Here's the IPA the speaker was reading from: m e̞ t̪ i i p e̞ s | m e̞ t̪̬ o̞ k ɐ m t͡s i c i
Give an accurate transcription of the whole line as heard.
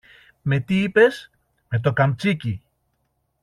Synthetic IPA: m e̞ t̪ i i p e̞ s | m e̞ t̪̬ o̞ k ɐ m t͡s i c i